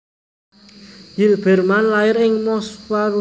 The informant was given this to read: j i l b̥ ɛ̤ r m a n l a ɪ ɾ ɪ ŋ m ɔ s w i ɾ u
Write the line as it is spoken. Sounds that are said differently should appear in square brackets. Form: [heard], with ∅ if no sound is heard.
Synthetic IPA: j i l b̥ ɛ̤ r m a n l a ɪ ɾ ɪ ŋ m ɔ s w [a] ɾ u